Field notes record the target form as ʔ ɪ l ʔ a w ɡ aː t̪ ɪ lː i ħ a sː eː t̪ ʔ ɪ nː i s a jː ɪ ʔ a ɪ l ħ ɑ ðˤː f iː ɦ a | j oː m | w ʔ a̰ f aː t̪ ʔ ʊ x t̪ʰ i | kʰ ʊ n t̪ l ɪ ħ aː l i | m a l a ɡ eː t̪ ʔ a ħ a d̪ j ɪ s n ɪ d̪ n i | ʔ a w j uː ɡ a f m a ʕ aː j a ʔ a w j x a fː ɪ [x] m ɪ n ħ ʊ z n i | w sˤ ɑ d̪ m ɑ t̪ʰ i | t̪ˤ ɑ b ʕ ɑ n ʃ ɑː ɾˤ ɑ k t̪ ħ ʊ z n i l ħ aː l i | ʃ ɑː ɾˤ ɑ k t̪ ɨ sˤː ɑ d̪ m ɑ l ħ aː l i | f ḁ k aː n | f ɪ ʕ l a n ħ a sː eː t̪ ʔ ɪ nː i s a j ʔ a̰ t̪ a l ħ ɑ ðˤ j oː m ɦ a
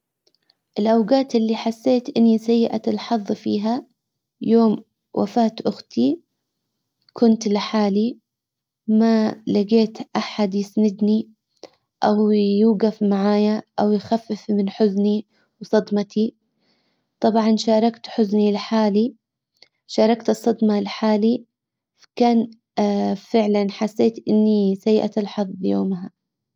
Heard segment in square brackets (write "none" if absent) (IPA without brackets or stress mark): f